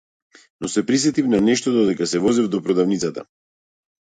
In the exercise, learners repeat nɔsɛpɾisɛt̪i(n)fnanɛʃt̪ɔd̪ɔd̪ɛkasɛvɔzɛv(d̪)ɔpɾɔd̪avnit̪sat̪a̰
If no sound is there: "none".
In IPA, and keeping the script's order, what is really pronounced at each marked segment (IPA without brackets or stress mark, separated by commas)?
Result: none, d̪